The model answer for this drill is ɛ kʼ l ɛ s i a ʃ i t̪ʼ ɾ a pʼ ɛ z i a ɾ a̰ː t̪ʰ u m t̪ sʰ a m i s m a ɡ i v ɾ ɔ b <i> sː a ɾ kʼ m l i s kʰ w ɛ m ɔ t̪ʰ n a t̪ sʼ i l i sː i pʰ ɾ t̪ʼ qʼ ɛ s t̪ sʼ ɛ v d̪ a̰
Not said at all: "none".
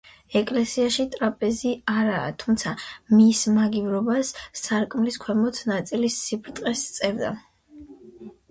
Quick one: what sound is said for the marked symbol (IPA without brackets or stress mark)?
a